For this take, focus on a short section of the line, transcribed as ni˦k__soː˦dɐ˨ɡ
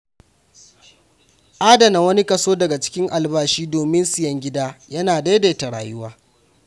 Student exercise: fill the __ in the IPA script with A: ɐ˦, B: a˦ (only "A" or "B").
A